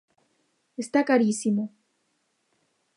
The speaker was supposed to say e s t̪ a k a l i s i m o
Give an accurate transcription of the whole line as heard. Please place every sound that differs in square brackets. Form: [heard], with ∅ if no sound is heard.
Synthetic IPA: e s t̪ a k a [ɾ] i s i m o